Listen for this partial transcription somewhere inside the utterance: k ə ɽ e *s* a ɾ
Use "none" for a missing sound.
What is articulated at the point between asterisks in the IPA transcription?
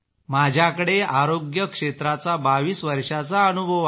none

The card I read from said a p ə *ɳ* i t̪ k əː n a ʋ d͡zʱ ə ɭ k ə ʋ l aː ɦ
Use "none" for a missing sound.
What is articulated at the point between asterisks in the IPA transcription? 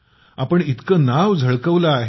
ɳ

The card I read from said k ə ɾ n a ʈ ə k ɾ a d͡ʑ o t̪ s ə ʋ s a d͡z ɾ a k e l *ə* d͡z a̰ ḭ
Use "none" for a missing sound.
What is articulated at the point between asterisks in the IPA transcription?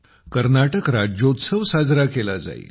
a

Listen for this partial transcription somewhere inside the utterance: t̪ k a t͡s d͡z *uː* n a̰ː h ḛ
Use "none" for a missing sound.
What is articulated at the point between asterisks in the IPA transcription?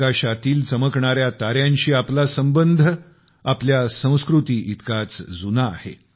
u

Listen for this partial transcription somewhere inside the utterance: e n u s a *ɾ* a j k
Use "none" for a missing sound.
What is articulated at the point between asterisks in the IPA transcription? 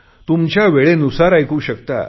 ɾ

